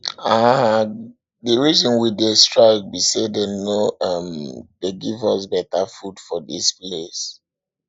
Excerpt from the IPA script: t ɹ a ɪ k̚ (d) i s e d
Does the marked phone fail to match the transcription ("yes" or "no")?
yes